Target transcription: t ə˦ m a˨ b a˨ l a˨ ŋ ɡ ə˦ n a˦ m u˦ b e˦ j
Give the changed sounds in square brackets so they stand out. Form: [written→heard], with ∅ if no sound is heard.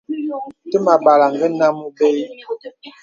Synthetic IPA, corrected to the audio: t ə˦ m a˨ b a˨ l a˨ ŋ ɡ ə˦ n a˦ m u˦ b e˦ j